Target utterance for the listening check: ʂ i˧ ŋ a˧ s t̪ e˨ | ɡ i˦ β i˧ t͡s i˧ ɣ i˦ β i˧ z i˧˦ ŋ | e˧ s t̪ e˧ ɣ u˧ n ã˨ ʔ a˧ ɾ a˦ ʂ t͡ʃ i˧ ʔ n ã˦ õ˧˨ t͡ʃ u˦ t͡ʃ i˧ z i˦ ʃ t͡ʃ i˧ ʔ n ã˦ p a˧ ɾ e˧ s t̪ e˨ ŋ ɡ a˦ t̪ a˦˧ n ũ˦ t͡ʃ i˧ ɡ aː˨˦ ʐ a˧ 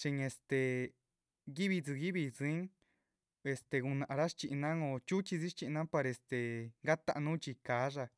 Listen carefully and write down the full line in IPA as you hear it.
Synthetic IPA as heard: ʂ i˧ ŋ e˧ s t̪ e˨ | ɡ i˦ β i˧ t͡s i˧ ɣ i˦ β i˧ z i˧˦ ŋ | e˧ s t̪ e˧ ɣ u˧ n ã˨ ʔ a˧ ɾ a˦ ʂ t͡ʃ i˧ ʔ n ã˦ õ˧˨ t͡ʃ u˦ t͡ʃ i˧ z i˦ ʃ t͡ʃ i˧ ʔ n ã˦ p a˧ ɾ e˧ s t̪ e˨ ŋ ɡ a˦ t̪ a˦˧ n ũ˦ t͡ʃ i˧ k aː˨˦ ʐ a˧